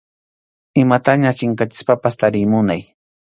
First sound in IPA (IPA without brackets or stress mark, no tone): ɪ